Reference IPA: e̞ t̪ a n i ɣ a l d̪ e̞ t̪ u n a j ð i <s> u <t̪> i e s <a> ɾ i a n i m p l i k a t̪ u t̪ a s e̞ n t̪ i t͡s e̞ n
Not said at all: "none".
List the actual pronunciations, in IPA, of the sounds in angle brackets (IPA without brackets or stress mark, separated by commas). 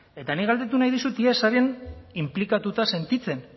s, t̪, a